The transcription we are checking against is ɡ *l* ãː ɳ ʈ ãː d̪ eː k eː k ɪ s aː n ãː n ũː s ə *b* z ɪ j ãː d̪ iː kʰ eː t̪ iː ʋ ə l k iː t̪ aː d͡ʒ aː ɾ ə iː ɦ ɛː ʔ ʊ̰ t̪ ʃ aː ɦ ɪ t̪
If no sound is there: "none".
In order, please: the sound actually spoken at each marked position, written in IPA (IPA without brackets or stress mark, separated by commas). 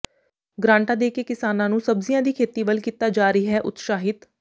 ɾ, b